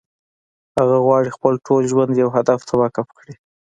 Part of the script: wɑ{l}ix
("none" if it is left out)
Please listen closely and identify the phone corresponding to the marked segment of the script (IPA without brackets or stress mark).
ɽ